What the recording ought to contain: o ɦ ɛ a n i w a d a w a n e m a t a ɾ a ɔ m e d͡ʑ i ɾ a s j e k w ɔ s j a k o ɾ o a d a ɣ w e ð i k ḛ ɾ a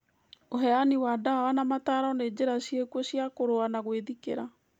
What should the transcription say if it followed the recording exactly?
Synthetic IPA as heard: o ɦ ɛ a n i w a d a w a n a m a t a ɾ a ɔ n e d͡ʑ e ɾ a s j e k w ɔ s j a k o ɾ o a n a ɣ w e ð i k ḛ ɾ a